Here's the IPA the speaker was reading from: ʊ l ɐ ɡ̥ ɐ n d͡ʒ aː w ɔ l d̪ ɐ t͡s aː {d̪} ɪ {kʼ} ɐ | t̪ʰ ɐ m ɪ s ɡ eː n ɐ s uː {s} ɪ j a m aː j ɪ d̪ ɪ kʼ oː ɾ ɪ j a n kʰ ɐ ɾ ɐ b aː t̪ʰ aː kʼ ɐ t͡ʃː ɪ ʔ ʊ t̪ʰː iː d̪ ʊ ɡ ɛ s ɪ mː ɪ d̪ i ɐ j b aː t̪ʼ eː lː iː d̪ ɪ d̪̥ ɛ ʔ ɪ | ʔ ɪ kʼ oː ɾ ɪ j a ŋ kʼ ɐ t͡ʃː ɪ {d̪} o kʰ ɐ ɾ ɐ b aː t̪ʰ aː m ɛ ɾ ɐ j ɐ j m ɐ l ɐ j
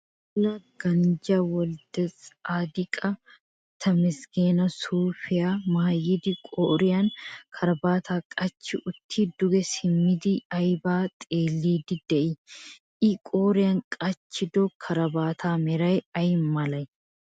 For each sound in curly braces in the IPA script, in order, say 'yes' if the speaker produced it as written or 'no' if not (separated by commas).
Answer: yes, yes, no, yes